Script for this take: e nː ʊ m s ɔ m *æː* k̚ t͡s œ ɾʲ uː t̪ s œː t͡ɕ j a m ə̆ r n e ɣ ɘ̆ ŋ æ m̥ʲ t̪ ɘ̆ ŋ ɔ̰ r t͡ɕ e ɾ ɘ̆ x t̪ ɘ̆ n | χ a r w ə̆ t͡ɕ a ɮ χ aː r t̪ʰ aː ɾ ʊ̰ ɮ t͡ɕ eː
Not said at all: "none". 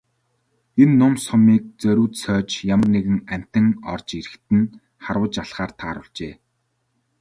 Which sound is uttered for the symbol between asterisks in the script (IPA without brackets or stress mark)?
iː